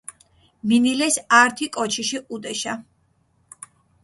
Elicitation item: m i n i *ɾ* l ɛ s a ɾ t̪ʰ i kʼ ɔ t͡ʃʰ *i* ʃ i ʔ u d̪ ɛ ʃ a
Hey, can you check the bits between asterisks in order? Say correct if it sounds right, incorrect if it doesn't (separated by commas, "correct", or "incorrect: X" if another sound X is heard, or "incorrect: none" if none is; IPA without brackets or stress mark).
incorrect: none, correct